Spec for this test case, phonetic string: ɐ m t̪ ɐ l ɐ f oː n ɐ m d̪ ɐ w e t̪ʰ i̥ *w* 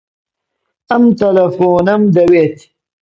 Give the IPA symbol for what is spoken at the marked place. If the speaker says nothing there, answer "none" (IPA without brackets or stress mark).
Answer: none